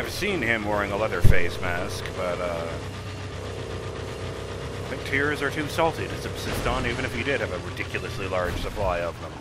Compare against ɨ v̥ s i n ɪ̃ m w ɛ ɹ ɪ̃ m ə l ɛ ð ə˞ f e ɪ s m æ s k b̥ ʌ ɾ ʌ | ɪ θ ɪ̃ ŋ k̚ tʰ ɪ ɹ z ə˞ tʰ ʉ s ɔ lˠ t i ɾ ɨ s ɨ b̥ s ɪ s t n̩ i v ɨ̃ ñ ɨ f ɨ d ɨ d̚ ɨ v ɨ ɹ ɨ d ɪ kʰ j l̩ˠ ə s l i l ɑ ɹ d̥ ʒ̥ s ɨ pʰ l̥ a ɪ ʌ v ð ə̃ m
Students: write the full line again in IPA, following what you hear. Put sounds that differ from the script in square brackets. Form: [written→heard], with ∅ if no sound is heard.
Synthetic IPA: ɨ v̥ s [i→ĩ] n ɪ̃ m w ɛ ɹ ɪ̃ [m→ŋ] ə l ɛ ð ə˞ f e ɪ s m æ s k b̥ ʌ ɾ ʌ | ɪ θ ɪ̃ ŋ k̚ tʰ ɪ ɹ z ə˞ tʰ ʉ s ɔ lˠ t i ɾ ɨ s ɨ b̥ s ɪ s t n̩ i v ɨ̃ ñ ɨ f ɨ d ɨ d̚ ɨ v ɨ ɹ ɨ d ɪ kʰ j l̩ˠ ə s l i l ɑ ɹ d̥ ʒ̥ s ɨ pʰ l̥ a ɪ ʌ v ð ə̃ m